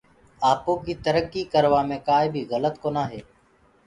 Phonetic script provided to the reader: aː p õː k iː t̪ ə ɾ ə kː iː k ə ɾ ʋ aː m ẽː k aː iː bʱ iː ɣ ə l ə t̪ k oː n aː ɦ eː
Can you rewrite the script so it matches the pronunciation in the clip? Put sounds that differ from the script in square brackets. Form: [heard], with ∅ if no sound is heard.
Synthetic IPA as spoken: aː p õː k iː t̪ ə ɾ ə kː iː k ə ɾ ʋ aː m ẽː k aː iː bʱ iː ɣ ə l ə t̪ k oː n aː ɦ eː